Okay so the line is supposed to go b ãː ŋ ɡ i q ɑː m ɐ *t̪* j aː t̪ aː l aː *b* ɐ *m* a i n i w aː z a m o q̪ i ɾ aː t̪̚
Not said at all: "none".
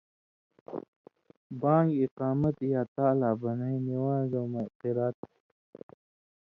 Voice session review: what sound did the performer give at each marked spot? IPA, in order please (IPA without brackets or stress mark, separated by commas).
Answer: t̪, b, n